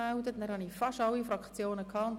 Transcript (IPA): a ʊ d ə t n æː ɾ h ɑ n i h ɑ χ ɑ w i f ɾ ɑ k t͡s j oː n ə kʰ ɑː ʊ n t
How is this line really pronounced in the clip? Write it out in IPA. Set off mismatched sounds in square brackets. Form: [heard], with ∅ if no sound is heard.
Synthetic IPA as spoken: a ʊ d ə t n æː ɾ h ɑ n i [f] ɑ [ʃ] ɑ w i f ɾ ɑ k t͡s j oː n ə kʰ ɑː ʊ n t